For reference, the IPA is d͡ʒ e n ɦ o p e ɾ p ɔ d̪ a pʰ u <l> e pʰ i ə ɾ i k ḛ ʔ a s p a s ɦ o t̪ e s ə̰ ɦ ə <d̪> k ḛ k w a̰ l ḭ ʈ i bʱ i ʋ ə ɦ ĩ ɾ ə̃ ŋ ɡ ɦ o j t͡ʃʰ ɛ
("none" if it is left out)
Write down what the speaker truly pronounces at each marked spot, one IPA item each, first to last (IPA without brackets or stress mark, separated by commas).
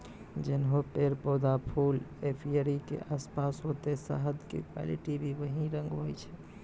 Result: l, d̪